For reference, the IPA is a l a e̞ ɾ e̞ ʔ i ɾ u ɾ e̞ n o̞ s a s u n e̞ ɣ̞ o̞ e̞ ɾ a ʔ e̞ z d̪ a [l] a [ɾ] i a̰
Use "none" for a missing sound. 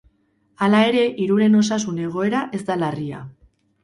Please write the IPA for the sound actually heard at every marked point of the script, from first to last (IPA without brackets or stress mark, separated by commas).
l, r